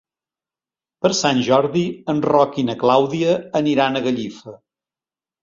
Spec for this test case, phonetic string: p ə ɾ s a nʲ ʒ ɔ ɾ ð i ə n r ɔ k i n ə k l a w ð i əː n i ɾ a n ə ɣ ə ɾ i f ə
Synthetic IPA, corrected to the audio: p ə ɾ s a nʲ ʒ ɔ ɾ ð i ə n r ɔ k i n ə k l a w ð i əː n i ɾ a n ə ɣ ə ʎ i f ə

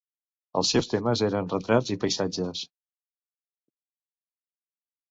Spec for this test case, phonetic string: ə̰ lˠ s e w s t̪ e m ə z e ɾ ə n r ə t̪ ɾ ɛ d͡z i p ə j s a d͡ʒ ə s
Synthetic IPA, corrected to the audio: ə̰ lˠ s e w s t̪ e m ə z e ɾ ə n r ə t̪ ɾ a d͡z i p ə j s a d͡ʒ ə s

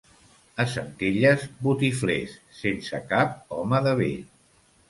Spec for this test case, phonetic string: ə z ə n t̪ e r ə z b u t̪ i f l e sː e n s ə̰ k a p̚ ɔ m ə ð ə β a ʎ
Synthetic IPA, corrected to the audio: ə s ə n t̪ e ʎ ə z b u t̪ i f l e sː e n s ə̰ k a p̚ ɔ m ə ð ə β e ʎ

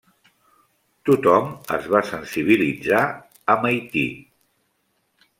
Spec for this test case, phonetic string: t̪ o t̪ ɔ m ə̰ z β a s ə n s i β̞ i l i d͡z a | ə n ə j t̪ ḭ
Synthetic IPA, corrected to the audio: t̪ u t̪ ɔ m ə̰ z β a s ə n s i β̞ i l i d͡z a | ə m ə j t̪ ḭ

